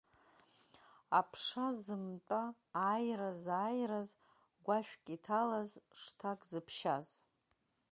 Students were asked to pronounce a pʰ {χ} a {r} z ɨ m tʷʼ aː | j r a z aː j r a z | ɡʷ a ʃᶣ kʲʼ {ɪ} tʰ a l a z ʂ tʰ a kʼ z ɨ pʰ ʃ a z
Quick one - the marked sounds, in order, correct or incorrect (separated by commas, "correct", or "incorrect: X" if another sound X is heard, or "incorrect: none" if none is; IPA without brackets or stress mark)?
incorrect: ʂ, incorrect: none, incorrect: i